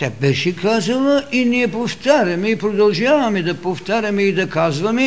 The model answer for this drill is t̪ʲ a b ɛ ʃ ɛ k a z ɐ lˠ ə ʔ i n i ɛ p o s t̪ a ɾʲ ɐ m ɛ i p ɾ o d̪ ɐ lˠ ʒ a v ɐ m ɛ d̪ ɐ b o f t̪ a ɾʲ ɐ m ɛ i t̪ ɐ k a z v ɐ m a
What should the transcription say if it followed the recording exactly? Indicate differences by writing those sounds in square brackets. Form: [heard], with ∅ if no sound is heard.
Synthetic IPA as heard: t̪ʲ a b ɛ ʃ ɛ k a z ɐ lˠ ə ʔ i n i ɛ p o [f] t̪ a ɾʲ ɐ m ɛ i p ɾ o d̪ ɐ lˠ ʒ a v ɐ m ɛ d̪ ɐ [p] o f t̪ a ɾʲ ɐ m ɛ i [d̪] ɐ k a z v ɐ m [ɛ]